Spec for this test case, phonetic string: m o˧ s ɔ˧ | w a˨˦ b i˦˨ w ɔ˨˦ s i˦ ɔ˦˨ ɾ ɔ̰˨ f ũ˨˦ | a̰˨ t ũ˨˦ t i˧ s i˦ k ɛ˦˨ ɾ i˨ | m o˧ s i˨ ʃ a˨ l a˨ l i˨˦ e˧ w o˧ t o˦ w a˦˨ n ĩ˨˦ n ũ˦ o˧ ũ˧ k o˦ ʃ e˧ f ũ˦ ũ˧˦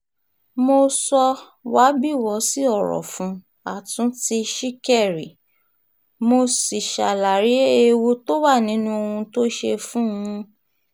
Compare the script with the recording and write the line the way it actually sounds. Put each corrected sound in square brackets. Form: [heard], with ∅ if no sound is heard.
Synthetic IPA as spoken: m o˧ s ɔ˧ | w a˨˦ b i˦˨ w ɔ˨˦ s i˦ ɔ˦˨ ɾ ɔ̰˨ f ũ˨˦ | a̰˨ t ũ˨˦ t i˧ [ʃ] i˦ k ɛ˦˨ ɾ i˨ | m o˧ s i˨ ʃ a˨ l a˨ [ɾ] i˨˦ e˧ w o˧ t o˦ w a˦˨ n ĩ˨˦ n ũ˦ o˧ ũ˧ [t] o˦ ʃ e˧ f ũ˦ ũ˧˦